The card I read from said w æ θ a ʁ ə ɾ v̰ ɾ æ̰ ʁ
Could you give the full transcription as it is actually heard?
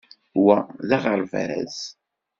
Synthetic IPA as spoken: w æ ð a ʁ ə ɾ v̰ ɾ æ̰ z